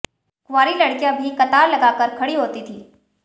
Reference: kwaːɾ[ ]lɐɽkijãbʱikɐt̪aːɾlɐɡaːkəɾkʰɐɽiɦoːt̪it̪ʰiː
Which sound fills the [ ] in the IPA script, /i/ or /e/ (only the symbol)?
i